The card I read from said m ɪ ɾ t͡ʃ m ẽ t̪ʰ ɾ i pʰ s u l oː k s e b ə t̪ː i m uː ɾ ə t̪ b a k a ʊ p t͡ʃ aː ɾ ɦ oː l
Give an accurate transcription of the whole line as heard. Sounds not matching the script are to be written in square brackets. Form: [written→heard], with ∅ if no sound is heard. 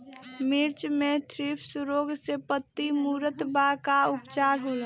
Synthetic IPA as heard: m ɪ ɾ t͡ʃ m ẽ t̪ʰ ɾ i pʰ s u [l→ɾ] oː [k→ɡ] s e [b→p] ə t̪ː i m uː ɾ ə t̪ b a k a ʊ p t͡ʃ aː ɾ ɦ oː l

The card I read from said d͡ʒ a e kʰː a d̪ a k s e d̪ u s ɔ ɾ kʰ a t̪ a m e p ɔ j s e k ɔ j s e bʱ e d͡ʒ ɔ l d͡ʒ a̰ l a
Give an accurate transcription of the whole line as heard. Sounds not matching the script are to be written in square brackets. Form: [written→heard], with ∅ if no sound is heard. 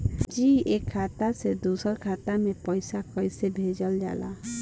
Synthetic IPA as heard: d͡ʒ [a→i] e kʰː a [d̪→t̪] a [k→∅] s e d̪ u s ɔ ɾ kʰ a t̪ a m e p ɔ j s [e→a] k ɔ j s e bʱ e d͡ʒ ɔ l d͡ʒ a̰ l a

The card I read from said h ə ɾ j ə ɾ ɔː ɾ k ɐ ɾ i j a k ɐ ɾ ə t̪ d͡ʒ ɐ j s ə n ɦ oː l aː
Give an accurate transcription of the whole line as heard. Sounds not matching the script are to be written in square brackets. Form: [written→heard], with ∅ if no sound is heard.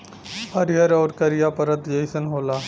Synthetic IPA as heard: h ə ɾ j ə ɾ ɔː ɾ k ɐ ɾ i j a [k→p] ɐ ɾ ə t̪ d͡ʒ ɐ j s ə n ɦ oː l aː

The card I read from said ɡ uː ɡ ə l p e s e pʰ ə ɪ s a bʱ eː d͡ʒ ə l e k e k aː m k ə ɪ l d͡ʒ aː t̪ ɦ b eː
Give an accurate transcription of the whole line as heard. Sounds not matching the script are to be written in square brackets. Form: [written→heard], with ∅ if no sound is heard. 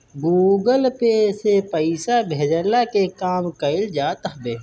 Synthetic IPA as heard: ɡ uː ɡ ə l p e s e [pʰ→p] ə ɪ s a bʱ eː d͡ʒ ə l [e→a] k e k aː m k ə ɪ l d͡ʒ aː t̪ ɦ b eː

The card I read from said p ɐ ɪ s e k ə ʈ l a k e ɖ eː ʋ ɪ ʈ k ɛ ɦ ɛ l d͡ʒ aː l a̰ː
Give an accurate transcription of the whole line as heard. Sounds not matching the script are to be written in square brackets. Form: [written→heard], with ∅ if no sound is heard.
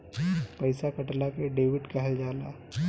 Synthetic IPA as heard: p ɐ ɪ s [e→a] k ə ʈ l a k e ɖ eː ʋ ɪ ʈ k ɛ ɦ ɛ l d͡ʒ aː l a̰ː

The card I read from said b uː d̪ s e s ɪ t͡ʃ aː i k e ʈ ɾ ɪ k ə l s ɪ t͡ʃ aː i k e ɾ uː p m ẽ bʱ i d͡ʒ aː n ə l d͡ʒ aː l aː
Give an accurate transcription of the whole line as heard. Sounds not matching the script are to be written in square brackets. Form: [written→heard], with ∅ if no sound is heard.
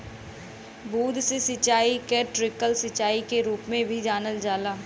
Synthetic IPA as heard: b uː d̪ s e s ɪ t͡ʃ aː i k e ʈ ɾ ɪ k ə l s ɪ t͡ʃ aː i k e ɾ uː p m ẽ bʱ i d͡ʒ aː n ə l d͡ʒ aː l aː

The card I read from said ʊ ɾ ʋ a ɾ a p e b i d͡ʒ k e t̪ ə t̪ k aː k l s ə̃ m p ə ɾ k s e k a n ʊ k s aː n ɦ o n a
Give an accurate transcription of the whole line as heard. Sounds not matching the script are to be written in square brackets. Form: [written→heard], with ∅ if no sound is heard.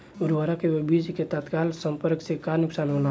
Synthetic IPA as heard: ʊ ɾ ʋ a ɾ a [p→k] e b i d͡ʒ k e t̪ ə t̪ k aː [k→∅] l s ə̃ m p ə ɾ k s e k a n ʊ k s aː n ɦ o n a

